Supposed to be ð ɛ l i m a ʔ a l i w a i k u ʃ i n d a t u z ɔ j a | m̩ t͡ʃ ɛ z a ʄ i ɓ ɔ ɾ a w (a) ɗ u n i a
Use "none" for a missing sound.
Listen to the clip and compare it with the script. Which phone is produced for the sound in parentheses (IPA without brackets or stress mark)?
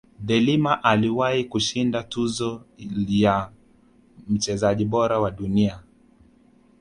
a